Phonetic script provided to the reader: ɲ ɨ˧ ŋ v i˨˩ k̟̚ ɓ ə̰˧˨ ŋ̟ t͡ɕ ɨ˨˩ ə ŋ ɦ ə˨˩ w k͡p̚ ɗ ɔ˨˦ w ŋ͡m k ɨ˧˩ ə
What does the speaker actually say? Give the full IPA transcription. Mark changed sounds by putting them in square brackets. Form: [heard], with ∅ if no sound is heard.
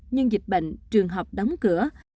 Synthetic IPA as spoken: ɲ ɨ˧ ŋ [z] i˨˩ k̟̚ ɓ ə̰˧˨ ŋ̟ t͡ɕ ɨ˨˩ ə ŋ ɦ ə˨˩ w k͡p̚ ɗ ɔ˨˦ w ŋ͡m k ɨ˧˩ ə